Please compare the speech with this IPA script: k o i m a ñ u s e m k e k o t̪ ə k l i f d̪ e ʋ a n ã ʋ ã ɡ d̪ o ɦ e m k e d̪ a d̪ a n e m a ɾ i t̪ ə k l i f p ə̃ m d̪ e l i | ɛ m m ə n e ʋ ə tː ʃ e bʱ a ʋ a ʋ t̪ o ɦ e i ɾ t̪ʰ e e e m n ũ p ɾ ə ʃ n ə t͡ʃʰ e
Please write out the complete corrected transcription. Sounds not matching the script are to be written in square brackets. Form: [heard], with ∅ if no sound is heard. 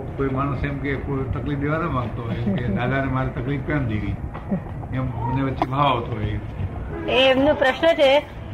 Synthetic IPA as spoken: k o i m a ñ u s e m k e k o t̪ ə k l i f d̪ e ʋ a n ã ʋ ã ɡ [t̪] o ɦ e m k e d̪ a d̪ a n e m a ɾ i t̪ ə k l i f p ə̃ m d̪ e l i | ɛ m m ə n e ʋ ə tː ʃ e bʱ a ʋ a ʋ t̪ o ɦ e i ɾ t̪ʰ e e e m n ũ p ɾ ə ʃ n ə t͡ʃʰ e